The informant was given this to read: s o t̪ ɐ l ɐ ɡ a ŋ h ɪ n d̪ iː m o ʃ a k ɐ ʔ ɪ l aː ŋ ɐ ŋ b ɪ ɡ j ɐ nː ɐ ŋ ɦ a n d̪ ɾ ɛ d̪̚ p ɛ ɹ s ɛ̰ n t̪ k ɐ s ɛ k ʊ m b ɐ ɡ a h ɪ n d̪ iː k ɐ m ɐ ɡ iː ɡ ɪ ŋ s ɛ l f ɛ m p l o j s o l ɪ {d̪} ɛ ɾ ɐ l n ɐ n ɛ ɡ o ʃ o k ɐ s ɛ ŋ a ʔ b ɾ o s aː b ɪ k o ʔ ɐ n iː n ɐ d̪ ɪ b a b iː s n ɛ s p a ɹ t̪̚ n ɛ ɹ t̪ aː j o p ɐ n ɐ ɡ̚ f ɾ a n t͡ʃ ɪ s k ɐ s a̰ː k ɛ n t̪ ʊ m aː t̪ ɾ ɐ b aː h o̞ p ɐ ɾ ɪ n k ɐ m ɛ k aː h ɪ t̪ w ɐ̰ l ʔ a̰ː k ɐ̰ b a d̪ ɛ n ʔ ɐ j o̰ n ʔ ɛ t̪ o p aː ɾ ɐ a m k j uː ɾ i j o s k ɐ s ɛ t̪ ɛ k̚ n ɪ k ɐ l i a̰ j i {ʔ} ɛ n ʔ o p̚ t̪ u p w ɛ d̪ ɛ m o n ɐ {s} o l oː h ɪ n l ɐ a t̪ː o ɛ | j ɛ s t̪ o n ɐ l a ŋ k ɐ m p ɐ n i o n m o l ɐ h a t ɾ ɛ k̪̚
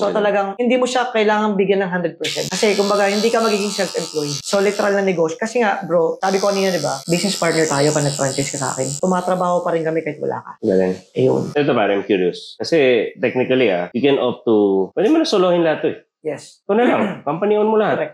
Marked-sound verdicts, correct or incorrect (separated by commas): incorrect, incorrect, correct